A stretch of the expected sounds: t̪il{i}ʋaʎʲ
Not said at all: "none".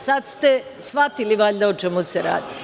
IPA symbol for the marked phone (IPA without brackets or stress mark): i